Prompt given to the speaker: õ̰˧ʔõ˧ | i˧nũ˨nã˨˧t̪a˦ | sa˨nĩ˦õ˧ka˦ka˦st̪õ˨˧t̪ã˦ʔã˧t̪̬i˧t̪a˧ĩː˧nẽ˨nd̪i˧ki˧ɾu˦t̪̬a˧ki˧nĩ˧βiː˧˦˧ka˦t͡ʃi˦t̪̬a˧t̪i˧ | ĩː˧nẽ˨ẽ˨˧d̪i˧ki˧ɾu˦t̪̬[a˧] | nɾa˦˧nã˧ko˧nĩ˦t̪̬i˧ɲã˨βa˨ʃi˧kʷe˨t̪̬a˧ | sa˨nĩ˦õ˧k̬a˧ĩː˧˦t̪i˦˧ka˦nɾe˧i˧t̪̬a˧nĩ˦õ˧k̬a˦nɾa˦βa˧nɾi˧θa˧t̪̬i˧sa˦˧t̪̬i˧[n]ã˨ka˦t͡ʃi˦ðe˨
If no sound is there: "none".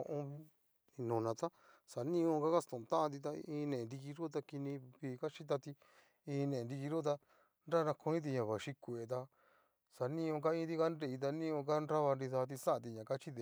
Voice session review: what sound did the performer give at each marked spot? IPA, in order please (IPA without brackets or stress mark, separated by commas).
a˧, ɲ